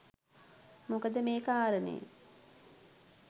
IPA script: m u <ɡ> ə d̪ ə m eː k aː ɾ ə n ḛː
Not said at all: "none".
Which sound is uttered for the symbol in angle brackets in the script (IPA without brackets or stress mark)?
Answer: k